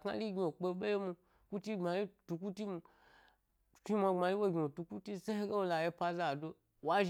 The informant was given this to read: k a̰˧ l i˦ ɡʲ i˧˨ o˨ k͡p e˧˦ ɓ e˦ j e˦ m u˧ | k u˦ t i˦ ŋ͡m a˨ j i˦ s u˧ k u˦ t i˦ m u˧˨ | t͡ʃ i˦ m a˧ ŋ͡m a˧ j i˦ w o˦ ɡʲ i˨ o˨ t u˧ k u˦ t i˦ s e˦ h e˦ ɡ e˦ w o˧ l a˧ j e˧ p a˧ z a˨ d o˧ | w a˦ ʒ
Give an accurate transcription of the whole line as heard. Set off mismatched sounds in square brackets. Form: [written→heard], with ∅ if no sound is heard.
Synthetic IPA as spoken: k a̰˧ l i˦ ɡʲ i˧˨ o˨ k͡p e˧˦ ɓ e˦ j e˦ m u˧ | k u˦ t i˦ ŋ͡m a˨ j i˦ [s→t] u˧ k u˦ t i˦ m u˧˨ | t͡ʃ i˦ m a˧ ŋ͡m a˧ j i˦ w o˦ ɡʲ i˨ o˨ t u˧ k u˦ t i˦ s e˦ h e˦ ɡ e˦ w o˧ l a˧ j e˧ p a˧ z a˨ d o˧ | w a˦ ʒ